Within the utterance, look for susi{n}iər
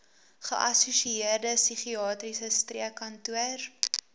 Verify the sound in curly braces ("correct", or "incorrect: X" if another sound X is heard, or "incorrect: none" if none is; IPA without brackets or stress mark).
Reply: incorrect: none